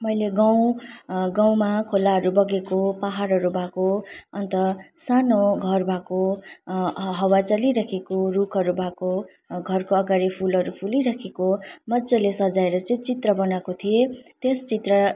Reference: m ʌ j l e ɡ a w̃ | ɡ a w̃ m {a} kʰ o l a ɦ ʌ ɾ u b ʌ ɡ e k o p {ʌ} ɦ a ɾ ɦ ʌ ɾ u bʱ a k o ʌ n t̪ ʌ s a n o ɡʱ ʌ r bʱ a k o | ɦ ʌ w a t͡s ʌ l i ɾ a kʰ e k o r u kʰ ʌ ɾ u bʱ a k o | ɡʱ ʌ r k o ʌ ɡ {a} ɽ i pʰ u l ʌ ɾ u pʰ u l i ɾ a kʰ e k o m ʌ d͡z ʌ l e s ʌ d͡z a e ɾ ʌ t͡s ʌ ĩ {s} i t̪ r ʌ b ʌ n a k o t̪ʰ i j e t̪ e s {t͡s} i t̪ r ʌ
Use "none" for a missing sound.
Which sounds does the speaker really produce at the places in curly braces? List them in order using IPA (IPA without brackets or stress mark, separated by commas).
a, a, a, t͡s, t͡s